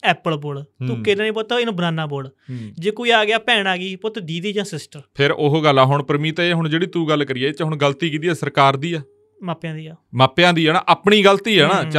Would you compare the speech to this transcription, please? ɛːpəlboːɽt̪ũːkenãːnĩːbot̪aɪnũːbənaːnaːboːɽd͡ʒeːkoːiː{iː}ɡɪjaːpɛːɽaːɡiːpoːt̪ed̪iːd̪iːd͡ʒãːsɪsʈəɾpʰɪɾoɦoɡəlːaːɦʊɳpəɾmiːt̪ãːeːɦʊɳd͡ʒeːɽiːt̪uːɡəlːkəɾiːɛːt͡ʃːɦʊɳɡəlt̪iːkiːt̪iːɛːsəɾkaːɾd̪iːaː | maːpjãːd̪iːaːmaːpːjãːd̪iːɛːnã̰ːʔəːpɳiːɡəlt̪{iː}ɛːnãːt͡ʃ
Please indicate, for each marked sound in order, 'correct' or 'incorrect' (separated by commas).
incorrect, correct